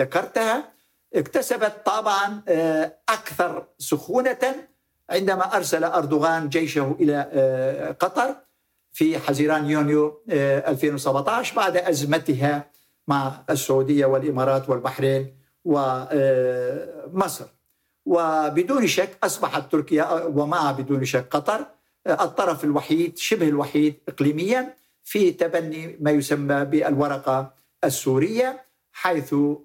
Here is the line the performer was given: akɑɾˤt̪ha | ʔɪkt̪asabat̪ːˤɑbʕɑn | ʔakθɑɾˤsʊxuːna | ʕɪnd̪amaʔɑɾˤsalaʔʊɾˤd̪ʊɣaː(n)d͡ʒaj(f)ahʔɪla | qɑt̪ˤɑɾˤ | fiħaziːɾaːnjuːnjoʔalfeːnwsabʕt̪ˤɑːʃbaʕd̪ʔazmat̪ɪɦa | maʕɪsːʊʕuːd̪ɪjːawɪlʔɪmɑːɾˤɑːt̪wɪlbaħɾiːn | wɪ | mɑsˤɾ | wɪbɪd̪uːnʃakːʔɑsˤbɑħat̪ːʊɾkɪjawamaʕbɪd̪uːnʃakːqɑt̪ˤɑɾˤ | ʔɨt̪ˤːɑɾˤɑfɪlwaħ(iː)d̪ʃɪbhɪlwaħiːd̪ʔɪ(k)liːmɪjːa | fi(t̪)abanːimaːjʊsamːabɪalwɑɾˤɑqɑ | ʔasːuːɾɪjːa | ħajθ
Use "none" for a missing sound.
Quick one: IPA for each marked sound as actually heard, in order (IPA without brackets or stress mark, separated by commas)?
n, ʃ, iː, q, t̪